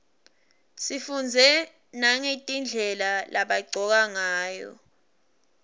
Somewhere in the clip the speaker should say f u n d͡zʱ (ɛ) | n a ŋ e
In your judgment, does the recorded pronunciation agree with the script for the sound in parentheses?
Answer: yes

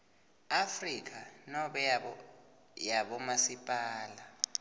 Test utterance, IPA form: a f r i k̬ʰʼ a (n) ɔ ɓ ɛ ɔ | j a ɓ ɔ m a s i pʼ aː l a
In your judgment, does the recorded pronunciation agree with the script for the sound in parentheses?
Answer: yes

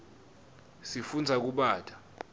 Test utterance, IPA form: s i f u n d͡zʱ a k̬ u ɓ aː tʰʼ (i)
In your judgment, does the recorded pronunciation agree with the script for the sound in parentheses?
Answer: no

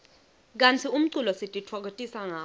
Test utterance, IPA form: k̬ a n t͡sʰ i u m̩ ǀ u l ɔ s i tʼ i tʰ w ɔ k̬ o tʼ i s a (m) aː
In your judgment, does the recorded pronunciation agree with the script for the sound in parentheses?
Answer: no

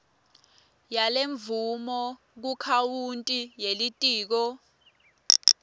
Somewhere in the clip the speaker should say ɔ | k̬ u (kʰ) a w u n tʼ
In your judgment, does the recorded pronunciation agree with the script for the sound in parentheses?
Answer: yes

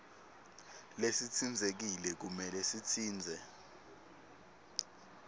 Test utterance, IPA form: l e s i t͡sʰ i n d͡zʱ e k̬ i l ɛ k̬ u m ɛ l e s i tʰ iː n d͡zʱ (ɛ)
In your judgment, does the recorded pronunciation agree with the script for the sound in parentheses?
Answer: yes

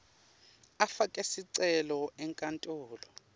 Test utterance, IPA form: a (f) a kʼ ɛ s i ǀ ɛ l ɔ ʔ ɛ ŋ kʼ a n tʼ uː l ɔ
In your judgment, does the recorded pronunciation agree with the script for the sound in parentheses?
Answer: yes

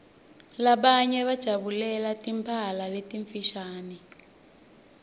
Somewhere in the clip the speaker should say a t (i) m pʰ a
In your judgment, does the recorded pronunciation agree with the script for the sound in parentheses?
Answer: yes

